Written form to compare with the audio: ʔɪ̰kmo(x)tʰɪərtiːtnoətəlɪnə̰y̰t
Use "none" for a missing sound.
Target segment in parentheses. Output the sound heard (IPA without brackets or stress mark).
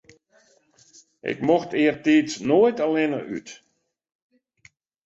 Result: x